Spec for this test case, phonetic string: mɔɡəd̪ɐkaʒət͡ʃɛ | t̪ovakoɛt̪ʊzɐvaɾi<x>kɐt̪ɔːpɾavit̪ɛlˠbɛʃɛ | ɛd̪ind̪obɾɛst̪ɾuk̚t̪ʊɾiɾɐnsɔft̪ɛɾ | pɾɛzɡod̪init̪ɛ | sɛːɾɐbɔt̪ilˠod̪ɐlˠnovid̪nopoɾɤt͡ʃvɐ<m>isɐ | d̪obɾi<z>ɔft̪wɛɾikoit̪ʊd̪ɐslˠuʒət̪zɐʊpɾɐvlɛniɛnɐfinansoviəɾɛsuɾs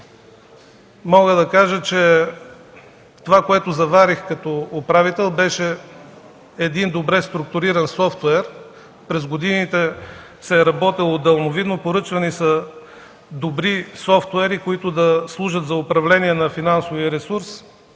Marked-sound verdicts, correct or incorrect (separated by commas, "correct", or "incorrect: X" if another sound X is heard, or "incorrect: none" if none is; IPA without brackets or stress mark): correct, incorrect: n, incorrect: s